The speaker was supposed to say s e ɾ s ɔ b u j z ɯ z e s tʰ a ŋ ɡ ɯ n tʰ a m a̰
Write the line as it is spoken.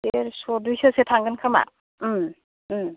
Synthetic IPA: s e ɾ s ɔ d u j s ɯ s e tʰ a ŋ ɡ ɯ n kʰ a m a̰